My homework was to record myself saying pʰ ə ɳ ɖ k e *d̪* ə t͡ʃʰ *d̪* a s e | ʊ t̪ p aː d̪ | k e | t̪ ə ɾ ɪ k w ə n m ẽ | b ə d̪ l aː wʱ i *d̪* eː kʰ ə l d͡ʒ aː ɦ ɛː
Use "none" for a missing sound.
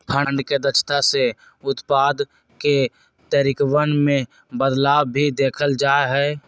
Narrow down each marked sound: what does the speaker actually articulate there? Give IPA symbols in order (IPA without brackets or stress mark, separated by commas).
d̪, t̪, d̪